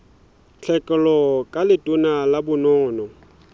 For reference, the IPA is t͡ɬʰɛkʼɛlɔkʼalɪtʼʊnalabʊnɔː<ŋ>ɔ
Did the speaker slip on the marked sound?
yes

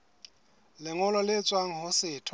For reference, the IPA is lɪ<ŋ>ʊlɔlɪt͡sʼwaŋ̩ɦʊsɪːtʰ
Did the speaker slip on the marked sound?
no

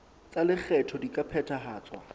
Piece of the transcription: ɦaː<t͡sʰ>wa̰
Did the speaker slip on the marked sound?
yes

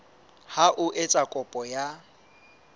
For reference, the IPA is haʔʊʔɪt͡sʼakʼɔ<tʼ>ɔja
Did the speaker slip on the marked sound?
yes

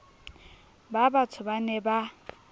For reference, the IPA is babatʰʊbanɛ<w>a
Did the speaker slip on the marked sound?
yes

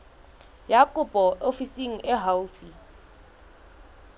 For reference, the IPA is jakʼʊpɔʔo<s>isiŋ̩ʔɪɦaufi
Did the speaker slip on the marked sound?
yes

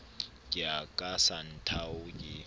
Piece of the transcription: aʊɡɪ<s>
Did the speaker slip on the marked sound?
yes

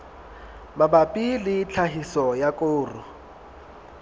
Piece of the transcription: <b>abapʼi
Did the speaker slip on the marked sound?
yes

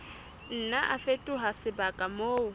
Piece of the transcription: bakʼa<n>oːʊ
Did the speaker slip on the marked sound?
yes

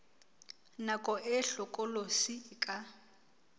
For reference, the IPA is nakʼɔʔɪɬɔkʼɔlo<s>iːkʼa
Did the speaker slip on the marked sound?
no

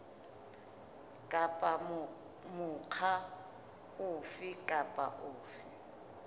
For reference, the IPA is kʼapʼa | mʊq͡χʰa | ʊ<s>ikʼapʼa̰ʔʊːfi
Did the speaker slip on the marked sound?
yes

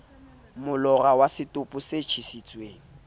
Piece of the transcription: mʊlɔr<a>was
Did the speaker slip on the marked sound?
no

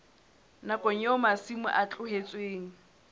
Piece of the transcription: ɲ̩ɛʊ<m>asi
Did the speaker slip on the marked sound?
no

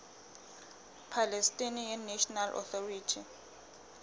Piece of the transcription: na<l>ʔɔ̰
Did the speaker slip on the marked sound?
no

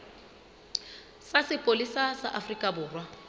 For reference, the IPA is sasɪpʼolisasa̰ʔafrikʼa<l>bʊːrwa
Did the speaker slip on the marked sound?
yes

